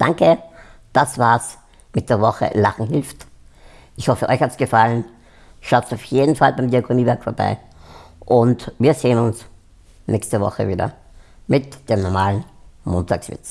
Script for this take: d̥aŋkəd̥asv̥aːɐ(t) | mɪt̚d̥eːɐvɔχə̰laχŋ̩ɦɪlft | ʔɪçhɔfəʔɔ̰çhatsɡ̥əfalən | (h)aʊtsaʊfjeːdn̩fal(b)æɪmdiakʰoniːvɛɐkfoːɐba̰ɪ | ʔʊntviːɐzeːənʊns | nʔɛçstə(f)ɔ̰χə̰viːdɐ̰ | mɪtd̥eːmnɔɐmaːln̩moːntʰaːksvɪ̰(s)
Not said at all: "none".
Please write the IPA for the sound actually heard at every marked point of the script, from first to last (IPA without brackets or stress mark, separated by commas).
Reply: s, ʃ, b, v, t͡s